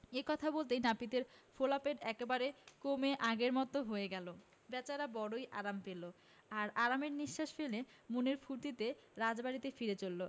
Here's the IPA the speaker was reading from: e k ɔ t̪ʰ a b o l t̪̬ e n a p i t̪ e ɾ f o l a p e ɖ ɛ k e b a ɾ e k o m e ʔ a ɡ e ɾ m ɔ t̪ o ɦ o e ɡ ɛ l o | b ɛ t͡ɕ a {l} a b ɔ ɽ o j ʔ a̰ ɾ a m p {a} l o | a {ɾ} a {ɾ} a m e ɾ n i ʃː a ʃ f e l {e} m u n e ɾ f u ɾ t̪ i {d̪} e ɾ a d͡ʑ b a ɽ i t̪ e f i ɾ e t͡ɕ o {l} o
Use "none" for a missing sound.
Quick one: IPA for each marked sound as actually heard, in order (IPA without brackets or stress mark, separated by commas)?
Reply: ɾ, e, ɾ, ɾ, e, t̪, lː